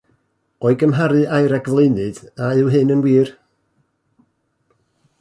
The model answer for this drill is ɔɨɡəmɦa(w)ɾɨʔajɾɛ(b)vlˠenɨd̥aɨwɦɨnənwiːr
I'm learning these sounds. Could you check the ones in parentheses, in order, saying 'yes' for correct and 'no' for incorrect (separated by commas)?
no, no